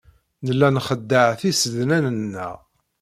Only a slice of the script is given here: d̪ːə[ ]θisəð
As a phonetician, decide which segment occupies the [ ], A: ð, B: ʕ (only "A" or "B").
B